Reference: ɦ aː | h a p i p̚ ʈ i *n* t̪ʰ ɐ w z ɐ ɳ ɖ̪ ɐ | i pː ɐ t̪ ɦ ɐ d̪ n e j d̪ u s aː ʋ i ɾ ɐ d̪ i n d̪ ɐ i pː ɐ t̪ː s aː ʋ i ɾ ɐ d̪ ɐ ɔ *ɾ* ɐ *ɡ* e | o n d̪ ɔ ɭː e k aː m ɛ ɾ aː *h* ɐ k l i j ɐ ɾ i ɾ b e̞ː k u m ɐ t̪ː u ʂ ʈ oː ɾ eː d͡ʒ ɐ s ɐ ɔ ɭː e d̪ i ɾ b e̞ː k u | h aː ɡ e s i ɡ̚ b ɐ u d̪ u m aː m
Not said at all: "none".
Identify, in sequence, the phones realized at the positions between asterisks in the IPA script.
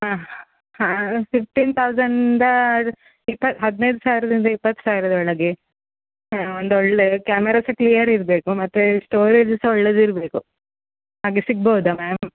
n, ɭ, ɡ, s

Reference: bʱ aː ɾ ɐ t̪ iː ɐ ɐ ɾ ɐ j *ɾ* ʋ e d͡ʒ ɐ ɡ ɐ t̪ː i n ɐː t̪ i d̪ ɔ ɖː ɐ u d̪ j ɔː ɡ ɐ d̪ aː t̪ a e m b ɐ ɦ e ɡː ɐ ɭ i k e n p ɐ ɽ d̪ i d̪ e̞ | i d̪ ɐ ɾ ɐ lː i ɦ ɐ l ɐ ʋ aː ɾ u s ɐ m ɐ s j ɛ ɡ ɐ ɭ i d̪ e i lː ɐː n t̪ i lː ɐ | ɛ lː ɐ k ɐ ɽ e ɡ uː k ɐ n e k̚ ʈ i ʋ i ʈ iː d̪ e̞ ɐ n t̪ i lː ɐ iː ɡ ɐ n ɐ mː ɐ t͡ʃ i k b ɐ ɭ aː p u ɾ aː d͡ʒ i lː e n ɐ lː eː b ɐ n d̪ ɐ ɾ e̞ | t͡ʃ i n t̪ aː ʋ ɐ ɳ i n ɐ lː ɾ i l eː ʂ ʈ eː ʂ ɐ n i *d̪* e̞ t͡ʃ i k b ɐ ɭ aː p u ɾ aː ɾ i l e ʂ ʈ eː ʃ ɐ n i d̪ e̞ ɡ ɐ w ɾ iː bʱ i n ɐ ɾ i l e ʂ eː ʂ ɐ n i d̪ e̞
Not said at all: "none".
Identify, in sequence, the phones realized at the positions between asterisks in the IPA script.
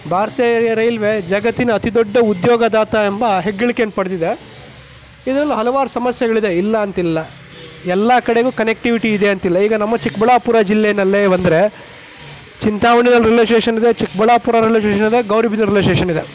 l, d̪

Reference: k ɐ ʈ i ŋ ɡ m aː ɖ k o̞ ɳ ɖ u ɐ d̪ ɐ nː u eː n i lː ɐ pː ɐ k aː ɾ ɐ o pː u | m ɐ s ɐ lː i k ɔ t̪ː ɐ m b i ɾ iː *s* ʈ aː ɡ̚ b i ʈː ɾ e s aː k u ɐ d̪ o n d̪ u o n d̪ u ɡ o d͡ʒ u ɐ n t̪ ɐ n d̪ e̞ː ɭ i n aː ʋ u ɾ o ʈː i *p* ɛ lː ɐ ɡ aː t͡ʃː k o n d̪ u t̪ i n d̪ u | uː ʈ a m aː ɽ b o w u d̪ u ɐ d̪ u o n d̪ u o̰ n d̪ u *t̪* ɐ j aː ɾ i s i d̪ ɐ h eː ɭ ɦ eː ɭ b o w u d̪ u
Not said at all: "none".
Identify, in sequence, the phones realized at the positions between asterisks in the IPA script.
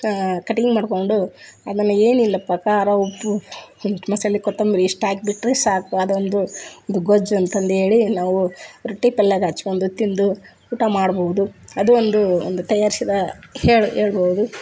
ʂ, p, t̪

